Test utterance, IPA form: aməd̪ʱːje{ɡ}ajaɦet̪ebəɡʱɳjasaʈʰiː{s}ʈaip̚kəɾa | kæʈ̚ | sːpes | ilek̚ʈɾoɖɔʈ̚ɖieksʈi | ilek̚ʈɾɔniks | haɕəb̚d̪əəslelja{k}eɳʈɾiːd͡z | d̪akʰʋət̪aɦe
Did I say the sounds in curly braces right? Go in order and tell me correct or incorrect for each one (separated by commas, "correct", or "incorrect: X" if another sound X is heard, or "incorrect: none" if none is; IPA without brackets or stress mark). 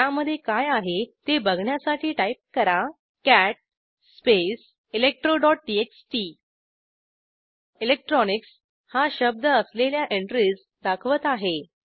incorrect: k, incorrect: none, incorrect: ʔ